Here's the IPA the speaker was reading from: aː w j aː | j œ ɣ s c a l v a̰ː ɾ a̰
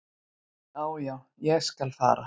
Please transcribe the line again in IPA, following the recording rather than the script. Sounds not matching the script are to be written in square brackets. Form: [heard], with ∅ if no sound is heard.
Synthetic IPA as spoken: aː w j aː | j [ɛ] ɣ s [k] a l [f] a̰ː ɾ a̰